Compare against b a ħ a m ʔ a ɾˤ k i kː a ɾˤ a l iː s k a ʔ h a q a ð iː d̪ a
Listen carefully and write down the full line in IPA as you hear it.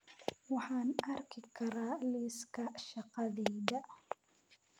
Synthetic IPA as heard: w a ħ a n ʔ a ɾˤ k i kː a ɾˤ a l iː s k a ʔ ʃ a q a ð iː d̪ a